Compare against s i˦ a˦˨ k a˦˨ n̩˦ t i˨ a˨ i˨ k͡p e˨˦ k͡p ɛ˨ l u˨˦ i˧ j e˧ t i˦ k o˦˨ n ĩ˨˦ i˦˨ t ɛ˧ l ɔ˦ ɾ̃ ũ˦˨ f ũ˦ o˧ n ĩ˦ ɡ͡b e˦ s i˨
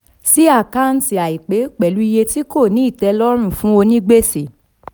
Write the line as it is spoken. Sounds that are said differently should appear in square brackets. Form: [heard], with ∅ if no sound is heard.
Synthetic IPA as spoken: s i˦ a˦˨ k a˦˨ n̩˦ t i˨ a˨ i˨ k͡p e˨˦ k͡p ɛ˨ l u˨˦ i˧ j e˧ t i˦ k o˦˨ n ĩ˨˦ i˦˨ t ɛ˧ l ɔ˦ ɾ̃ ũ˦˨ f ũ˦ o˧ n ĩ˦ ɡ͡b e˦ s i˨